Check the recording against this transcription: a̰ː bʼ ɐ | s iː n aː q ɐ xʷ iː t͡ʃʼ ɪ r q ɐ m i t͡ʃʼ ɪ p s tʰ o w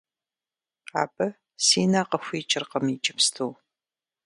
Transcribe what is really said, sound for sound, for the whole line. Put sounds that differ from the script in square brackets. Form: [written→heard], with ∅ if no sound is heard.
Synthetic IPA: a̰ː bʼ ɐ | s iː n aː q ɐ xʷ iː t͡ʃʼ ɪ r q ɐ m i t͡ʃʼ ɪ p s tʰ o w